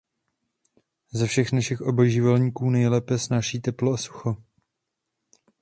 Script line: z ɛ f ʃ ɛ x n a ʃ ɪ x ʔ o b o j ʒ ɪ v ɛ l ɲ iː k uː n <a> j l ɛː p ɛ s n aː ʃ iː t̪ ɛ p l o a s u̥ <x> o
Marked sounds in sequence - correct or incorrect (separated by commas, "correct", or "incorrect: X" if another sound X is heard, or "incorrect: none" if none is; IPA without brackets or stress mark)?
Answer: incorrect: ɛ, correct